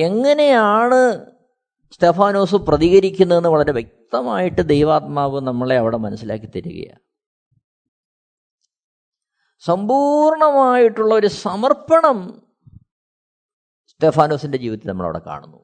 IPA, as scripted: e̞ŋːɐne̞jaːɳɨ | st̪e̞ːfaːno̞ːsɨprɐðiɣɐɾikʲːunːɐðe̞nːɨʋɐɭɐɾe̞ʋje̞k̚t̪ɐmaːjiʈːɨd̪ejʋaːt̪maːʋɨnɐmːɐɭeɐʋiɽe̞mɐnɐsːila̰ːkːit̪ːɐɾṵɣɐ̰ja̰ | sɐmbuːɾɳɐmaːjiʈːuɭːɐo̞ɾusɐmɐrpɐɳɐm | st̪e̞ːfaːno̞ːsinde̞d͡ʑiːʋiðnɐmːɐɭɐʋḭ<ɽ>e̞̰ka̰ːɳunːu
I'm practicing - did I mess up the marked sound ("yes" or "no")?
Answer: no